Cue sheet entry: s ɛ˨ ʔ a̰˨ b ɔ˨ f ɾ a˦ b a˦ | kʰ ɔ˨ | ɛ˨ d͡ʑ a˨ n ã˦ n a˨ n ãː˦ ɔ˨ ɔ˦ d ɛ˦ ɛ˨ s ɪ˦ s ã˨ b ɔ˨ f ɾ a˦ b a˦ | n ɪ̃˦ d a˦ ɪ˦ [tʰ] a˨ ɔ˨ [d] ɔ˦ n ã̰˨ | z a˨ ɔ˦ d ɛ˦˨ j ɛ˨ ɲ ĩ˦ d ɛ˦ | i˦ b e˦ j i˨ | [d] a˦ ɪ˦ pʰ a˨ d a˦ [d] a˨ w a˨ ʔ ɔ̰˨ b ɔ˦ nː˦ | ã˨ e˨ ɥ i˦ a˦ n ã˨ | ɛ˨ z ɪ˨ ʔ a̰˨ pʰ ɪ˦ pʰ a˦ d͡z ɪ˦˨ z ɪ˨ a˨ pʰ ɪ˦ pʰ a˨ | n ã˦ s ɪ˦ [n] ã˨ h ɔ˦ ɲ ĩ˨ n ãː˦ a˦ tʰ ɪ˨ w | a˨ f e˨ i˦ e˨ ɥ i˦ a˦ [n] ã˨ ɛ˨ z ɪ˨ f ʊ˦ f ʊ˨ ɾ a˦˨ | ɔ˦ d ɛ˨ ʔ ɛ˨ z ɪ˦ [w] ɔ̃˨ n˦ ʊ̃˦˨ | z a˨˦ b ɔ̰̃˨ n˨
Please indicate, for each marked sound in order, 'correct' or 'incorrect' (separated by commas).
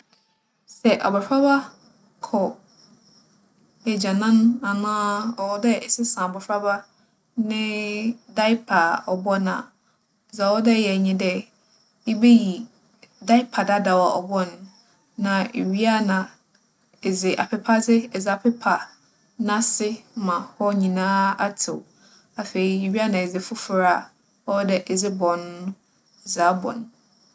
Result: incorrect, incorrect, correct, correct, incorrect, correct, incorrect